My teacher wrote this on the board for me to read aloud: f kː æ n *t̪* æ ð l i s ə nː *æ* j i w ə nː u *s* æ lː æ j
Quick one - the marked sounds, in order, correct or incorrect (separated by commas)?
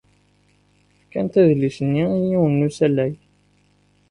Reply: correct, incorrect, correct